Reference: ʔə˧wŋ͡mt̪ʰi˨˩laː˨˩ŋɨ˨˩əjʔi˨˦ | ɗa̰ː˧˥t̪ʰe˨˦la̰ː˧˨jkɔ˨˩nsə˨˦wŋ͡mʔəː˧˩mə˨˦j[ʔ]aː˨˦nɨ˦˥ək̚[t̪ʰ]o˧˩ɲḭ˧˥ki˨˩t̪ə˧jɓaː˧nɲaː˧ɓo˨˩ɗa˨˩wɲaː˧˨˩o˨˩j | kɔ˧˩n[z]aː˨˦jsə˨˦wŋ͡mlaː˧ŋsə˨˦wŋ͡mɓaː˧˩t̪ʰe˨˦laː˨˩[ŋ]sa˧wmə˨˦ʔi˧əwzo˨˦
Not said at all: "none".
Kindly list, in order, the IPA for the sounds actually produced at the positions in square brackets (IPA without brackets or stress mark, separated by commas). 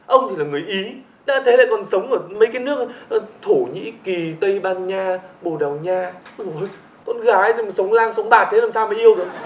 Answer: k, t̪ʰ, ɣ, m